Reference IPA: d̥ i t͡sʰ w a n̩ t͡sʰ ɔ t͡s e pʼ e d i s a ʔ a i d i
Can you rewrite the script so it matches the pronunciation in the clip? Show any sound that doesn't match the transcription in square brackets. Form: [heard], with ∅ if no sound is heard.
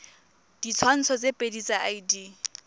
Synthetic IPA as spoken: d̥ i t͡sʰ w a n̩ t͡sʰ ɔ t͡s e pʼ e d i [t͡s] a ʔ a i d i